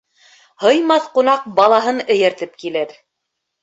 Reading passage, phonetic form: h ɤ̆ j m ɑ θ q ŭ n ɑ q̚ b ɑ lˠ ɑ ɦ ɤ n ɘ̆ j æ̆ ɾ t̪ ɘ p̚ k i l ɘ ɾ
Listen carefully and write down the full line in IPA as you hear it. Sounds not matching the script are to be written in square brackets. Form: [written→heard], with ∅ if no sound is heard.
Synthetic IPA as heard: h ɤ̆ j m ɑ θ q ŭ n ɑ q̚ b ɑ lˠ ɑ ɦ ɤ n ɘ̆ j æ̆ ɾ t̪ ɘ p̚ k i l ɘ ɾ